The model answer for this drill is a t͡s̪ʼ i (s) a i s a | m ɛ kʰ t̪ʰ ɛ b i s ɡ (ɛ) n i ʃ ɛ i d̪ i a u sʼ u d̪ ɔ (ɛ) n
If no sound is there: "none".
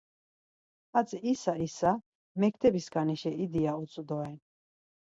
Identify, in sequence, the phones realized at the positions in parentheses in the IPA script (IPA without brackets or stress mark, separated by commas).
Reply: s, a, ɛ